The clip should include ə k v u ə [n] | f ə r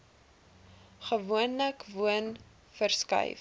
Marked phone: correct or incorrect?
correct